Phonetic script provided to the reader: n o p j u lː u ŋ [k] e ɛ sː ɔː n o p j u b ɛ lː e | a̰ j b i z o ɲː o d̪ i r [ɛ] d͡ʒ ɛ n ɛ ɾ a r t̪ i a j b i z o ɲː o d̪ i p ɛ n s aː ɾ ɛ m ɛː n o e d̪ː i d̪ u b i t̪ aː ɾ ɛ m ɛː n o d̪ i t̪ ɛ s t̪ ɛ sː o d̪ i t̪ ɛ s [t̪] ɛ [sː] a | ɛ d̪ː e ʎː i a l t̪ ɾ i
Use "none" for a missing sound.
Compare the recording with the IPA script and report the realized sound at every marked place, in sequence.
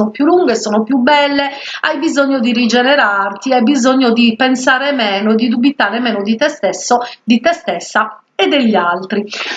ɡ, i, t̪, sː

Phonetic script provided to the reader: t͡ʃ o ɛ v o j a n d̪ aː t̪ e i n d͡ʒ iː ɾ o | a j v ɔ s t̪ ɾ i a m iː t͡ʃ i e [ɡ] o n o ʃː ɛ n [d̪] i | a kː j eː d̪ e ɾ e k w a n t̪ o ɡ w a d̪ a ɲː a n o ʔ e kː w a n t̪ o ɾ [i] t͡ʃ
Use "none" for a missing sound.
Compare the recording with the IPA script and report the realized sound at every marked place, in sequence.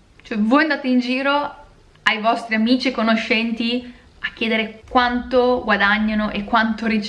k, t̪, i

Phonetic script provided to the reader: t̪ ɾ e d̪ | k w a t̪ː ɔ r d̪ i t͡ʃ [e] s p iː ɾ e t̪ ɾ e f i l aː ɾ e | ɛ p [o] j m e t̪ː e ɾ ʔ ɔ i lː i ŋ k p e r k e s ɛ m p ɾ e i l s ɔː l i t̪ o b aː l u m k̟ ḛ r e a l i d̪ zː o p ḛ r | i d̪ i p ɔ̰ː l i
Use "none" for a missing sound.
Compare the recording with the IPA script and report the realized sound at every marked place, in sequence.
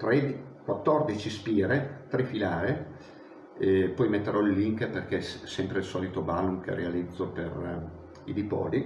i, ɔ

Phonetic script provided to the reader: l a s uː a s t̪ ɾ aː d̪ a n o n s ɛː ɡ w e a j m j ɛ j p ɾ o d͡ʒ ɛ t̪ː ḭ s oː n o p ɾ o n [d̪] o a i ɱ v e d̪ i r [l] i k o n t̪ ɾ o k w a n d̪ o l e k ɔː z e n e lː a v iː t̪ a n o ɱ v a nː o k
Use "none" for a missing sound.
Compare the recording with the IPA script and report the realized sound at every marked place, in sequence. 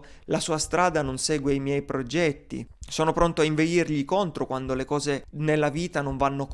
t̪, ʎ

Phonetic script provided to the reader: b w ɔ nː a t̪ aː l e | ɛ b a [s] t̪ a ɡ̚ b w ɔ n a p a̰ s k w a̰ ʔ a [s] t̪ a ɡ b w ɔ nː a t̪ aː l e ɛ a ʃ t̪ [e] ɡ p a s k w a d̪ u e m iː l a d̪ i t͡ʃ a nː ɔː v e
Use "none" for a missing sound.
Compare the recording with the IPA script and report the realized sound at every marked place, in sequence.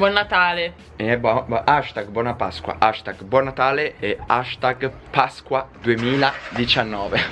ʃ, ʃ, a

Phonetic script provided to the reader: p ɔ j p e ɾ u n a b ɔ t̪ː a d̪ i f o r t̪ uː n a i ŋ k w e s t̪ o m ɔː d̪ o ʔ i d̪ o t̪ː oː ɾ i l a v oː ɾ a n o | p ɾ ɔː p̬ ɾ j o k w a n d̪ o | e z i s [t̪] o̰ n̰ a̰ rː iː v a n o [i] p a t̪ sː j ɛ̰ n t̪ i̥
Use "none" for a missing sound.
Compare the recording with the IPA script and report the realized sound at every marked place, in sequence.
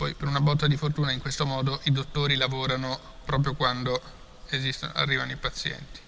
t̪, i

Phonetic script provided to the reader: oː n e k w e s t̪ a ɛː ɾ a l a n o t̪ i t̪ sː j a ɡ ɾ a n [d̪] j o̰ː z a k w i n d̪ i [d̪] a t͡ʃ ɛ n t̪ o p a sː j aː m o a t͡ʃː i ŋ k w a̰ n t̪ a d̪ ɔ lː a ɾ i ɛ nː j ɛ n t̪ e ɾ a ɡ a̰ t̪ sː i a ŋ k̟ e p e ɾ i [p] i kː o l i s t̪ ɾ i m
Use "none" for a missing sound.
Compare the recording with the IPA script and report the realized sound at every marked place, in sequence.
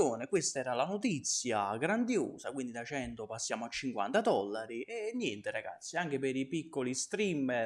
d̪, d̪, p

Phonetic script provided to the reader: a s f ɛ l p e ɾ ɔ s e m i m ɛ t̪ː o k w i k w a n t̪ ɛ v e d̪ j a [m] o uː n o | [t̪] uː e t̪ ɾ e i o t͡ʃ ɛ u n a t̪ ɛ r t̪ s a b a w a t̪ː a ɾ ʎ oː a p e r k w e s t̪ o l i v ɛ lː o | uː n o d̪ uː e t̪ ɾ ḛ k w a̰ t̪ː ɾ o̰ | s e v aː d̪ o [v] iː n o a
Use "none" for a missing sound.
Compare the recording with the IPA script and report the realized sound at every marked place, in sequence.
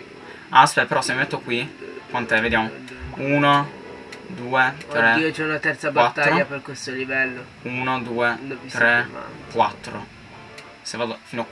m, d̪, f

